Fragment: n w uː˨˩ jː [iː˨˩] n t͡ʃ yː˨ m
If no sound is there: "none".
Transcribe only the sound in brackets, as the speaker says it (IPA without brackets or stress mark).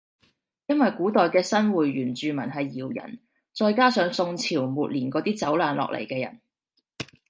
yː˨˩